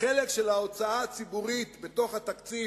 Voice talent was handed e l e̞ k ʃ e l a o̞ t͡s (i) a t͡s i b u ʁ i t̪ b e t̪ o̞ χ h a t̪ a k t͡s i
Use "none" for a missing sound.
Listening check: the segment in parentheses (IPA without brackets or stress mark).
a